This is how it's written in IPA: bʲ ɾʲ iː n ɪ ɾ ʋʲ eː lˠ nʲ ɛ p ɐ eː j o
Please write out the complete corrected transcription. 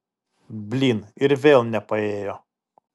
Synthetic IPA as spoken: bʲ lʲ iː n ɪ ɾ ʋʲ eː lˠ nʲ ɛ p ɐ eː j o

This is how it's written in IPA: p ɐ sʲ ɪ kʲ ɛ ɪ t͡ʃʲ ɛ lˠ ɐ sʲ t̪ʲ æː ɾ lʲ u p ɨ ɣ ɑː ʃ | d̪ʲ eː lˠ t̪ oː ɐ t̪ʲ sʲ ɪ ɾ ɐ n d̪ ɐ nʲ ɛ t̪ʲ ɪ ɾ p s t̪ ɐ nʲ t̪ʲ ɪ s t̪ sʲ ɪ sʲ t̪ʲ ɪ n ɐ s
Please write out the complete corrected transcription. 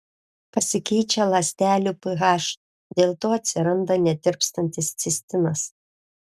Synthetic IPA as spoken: p ɐ sʲ ɪ kʲ ɛ ɪ t͡ʃʲ ɛ lˠ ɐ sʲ t̪ʲ æː lʲ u p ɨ ɣ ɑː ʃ | d̪ʲ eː lˠ t̪ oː ɐ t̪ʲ sʲ ɪ ɾ ɐ n d̪ ɐ nʲ ɛ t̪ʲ ɪ ɾ p s t̪ ɐ nʲ t̪ʲ ɪ s t̪ sʲ ɪ sʲ t̪ʲ ɪ n ɐ s

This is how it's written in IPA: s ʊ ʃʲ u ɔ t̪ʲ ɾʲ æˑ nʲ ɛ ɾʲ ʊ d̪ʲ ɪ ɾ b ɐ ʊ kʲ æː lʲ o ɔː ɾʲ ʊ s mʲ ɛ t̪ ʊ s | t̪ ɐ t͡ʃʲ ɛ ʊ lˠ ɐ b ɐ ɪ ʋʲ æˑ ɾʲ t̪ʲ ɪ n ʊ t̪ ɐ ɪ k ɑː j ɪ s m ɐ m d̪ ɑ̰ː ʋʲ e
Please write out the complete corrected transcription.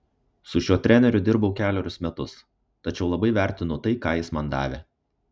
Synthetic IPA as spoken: s ʊ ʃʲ u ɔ t̪ʲ ɾʲ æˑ nʲ ɛ ɾʲ ʊ d̪ʲ ɪ ɾ b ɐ ʊ kʲ æː lʲ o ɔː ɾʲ ʊ s mʲ ɛ t̪ ʊ s | t̪ ɐ t͡ʃʲ ɛ ʊ lˠ ɐ b ɐ ɪ ʋʲ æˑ ɾʲ t̪ʲ ɪ n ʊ t̪ ɐ ɪ k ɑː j ɪ s m ɐ n d̪ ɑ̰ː ʋʲ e

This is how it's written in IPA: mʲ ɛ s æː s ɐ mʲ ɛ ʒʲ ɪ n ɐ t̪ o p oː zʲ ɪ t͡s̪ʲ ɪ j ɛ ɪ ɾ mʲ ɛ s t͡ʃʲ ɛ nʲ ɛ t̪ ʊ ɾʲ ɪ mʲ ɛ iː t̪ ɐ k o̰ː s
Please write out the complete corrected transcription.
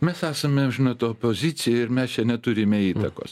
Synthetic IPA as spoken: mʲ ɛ s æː s ɐ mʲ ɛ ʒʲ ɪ n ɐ t̪ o p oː zʲ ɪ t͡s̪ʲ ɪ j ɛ ɪ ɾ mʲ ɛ s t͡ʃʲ ɛ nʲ ɛ t̪ ʊ ɾʲ ɪ mʲ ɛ iː t̪ ɐ k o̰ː s

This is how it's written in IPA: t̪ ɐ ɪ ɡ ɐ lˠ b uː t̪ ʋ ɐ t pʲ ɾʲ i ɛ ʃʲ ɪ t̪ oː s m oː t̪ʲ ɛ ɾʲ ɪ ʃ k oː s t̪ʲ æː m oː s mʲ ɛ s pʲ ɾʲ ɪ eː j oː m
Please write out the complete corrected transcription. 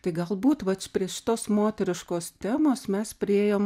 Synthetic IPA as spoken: t̪ ɐ ɪ ɡ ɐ lˠ b uː t̪ ʋ ɐ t pʲ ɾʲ i ɛ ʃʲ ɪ t̪ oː s m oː t̪ʲ ɛ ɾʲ ɪ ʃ k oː s t̪ʲ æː m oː s mʲ ɛ s pʲ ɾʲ ɪ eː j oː m

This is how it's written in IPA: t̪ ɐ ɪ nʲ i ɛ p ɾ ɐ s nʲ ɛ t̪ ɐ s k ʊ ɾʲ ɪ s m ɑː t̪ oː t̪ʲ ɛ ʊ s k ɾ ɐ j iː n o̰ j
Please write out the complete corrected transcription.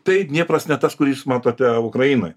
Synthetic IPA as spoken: t̪ ɐ ɪ nʲ i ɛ p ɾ ɐ s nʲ ɛ t̪ ɐ s k ʊ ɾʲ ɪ s m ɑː t̪ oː t̪ʲ ɛ ʊ k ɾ ɐ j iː n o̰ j

